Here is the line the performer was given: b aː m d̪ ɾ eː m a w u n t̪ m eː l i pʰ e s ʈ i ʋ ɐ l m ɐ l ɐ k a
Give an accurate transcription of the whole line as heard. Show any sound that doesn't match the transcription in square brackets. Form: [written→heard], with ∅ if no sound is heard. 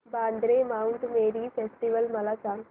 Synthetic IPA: b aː [m→n] d̪ ɾ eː m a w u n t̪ m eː [l→ɾ] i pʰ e s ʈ i ʋ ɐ l m ɐ l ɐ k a